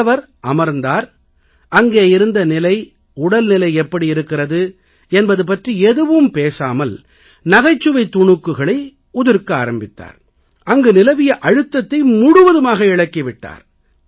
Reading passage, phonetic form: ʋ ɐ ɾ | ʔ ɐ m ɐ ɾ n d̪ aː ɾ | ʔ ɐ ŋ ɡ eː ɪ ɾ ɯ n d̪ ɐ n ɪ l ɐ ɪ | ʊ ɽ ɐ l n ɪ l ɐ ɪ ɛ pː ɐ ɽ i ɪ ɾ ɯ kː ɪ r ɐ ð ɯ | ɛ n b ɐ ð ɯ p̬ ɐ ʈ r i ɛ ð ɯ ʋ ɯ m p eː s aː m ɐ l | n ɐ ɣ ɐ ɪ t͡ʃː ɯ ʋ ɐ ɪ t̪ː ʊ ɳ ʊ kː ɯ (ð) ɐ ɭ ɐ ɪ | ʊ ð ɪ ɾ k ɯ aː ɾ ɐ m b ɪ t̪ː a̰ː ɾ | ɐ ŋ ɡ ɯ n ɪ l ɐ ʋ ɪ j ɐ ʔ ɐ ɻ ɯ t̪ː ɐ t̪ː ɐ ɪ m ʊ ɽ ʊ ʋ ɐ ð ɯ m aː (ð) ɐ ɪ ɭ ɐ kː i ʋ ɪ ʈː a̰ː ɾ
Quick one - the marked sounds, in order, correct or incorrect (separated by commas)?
incorrect, incorrect